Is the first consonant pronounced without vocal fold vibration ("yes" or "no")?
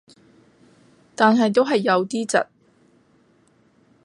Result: yes